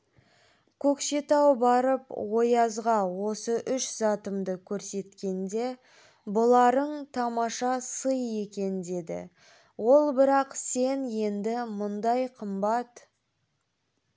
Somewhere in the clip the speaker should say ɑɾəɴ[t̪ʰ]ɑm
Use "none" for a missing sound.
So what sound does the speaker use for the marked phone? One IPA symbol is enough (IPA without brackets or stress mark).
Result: t̪ʰ